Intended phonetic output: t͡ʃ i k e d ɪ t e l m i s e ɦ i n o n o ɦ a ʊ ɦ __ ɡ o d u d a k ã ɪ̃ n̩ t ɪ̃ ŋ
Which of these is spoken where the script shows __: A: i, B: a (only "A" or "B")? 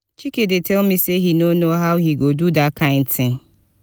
A